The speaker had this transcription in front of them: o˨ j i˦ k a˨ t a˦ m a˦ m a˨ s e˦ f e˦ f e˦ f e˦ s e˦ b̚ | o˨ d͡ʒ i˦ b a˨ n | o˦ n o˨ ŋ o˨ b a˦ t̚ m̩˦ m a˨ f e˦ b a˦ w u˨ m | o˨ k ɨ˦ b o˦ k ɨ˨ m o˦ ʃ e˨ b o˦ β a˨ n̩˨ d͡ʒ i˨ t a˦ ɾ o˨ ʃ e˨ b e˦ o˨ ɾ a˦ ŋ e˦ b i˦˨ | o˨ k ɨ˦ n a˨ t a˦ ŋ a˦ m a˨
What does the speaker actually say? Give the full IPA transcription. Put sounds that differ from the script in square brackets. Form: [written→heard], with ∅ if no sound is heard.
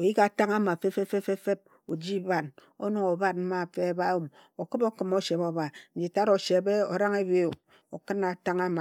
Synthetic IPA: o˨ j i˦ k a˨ t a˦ [m→ŋ] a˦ m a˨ [s→f] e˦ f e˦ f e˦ f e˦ [s→f] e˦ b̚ | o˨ d͡ʒ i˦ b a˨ n | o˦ n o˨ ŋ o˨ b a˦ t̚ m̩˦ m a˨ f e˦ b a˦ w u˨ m | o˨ k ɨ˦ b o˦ k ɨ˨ m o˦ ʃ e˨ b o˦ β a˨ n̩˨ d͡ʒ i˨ t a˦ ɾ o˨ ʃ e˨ b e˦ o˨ ɾ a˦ ŋ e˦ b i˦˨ | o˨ k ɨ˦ n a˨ t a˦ ŋ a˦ m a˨